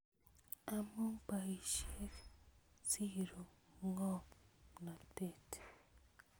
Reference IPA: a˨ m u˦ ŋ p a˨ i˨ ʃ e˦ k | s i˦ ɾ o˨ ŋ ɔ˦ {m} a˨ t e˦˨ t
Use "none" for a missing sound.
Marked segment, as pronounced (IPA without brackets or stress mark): n